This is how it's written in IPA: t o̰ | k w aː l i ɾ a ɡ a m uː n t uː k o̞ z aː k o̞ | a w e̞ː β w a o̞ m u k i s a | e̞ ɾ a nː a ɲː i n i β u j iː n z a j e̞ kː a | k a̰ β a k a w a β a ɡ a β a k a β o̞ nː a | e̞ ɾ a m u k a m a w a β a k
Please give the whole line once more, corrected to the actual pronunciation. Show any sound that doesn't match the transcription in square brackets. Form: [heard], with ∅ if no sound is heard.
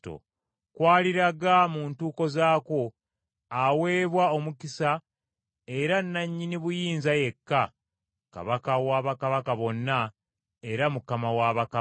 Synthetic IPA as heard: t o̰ | k w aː l i ɾ a ɡ a m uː n t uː k o̞ z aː k o̞ | a w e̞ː β w a o̞ m u k i s a | e̞ ɾ a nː a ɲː i n i β u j iː n z a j e̞ kː a | k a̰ β a k a w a β a [k] a β a k a β o̞ nː a | e̞ ɾ a m u k a m a w a β a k